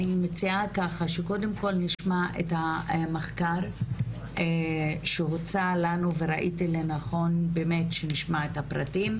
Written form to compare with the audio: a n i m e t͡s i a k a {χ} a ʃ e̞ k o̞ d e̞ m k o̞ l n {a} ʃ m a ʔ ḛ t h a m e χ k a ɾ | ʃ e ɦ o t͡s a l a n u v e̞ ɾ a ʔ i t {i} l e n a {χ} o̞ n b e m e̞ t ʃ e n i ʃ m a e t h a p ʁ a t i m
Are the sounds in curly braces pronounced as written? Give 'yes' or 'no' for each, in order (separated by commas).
yes, no, yes, yes